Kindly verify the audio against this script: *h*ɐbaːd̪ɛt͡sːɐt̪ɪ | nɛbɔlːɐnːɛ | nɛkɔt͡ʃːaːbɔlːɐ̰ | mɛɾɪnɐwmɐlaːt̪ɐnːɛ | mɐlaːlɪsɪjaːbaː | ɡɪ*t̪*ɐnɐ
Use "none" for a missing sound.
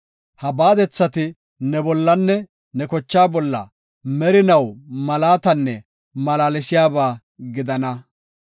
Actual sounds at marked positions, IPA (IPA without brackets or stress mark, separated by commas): h, d̪